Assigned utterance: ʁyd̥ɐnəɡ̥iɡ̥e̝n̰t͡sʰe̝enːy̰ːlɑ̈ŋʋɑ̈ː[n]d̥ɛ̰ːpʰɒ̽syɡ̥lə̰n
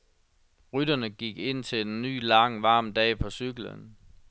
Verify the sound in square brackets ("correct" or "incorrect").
incorrect